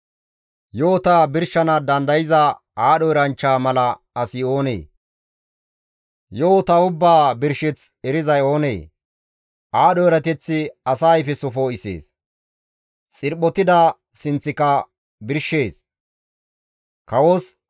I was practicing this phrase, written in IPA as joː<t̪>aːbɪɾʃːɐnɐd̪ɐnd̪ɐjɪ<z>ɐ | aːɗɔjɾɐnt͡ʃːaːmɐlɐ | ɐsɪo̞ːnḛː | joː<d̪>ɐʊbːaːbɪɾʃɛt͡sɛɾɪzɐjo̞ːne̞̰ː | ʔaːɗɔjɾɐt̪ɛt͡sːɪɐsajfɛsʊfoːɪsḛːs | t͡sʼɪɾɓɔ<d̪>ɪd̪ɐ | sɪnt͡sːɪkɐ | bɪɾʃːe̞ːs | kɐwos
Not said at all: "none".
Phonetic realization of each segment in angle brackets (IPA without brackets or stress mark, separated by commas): t̪, z, t̪, t̪